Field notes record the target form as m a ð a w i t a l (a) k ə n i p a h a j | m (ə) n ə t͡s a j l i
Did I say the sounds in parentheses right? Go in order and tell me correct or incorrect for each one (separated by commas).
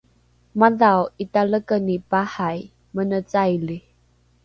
incorrect, correct